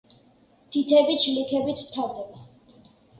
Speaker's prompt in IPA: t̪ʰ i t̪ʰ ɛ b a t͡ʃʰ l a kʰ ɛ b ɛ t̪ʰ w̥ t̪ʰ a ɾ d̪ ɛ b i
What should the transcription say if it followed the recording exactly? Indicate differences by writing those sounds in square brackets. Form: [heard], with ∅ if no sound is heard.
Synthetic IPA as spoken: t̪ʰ i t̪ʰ ɛ b [i] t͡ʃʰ l [i] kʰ ɛ b [i] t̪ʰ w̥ t̪ʰ a ɾ d̪ ɛ b [a]